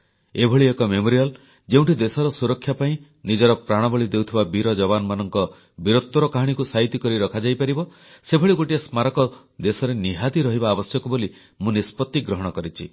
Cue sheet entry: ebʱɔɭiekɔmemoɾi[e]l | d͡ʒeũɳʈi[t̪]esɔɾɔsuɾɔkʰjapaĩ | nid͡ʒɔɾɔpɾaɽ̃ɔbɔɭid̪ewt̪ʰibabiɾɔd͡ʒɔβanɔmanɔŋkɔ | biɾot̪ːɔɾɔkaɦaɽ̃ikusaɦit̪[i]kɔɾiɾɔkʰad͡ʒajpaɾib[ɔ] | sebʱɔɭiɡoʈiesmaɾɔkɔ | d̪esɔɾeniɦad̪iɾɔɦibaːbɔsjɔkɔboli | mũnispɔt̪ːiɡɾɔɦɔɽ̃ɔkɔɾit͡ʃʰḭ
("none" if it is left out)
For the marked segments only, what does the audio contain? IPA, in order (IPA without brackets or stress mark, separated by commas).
a, d̪, i, ɔ